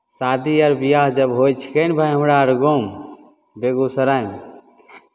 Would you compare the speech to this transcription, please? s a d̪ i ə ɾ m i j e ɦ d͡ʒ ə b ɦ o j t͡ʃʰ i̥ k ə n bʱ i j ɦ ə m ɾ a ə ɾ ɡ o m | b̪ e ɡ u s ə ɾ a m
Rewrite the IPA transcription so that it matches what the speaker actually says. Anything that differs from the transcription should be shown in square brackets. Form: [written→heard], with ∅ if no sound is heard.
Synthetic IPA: s a d̪ i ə ɾ [m→b] i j [e→a] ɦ d͡ʒ ə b ɦ o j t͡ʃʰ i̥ k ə n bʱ [i→a] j ɦ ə m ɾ a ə ɾ ɡ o m | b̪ e ɡ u s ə ɾ a m